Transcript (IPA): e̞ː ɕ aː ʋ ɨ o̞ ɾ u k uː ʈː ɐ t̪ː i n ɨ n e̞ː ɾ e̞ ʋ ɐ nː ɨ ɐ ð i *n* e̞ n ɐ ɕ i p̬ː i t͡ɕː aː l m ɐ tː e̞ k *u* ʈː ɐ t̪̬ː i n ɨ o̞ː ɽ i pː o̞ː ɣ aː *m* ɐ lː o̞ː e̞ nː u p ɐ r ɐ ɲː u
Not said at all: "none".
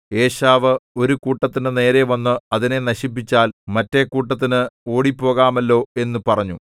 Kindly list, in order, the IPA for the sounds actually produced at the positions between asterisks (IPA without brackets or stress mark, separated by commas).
n, uː, m